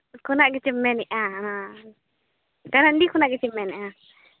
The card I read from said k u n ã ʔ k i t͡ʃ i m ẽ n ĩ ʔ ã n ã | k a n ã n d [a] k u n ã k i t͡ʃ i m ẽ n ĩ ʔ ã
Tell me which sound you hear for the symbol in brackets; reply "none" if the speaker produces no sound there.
i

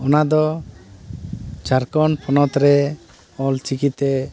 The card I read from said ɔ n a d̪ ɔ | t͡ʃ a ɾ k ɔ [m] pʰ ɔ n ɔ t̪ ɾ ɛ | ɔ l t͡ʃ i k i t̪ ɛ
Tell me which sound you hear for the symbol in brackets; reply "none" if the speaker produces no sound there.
n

